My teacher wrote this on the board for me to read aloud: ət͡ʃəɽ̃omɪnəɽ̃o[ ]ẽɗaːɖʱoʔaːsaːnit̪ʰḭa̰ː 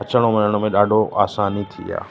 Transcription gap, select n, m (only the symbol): m